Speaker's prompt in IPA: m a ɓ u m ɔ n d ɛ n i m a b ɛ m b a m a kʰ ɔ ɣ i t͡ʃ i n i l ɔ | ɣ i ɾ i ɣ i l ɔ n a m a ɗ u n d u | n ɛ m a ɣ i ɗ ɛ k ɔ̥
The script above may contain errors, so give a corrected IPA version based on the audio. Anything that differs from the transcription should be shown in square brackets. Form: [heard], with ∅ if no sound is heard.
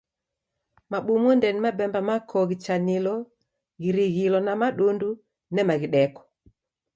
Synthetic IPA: m a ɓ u m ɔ n d ɛ n i m a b ɛ m b a m a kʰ ɔ ɣ i t͡ʃ [a] n i l ɔ | ɣ i ɾ i ɣ i l ɔ n a m a ɗ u n d u | n ɛ m a ɣ i ɗ ɛ k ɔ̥